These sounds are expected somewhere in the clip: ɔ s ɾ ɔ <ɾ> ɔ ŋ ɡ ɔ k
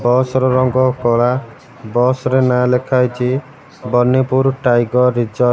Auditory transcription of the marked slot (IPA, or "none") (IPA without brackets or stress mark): ɾ